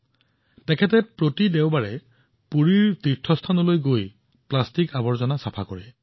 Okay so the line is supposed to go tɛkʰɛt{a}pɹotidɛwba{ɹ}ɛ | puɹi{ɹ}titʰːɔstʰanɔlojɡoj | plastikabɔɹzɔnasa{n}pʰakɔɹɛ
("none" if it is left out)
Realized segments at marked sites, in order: ɛ, ɹ, ɹ, none

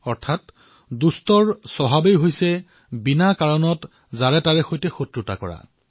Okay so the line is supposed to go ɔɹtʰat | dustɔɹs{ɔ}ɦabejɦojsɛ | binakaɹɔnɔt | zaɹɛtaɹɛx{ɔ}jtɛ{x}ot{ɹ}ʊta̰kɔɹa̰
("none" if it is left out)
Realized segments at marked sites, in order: ɔ, o, x, ɹ

